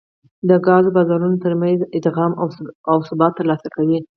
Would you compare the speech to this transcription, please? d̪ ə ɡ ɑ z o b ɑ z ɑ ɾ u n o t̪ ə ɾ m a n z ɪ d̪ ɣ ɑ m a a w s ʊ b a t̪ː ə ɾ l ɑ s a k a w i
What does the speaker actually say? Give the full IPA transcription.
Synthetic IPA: d̪ ə ɡ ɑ z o b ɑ z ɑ ɾ u n o t̪ ə ɾ m a n z ɪ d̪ ɣ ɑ m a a w s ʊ b ɑ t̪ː ə ɾ l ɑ s a k a w i